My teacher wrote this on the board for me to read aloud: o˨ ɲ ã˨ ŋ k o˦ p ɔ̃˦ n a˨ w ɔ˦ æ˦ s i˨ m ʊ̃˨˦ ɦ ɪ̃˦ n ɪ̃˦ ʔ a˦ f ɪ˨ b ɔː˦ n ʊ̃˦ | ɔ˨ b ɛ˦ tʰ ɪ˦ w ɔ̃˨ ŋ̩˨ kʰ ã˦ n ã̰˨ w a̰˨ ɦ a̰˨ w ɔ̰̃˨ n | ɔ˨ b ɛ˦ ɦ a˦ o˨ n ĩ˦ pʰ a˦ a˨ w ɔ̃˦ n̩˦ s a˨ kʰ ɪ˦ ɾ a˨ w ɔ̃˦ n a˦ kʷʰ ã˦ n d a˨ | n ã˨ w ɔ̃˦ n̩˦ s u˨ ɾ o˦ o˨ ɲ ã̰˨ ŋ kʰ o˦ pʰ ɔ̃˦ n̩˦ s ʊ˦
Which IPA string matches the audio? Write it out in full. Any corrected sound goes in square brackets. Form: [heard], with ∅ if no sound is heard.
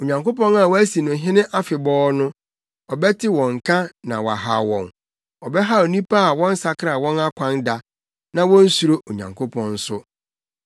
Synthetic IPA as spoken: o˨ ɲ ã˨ ŋ k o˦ p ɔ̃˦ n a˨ w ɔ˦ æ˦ s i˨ [n] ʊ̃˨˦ ɦ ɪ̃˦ n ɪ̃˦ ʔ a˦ f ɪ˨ b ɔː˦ n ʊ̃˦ | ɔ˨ b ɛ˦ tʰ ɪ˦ w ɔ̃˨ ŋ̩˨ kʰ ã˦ n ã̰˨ w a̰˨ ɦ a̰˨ w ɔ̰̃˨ n | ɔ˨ b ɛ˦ ɦ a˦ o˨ n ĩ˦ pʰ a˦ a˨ w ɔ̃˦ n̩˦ s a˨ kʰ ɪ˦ ɾ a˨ w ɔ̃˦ n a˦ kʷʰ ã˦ n d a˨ | n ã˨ w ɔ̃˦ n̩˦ s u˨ ɾ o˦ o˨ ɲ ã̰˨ ŋ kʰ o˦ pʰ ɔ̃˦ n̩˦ s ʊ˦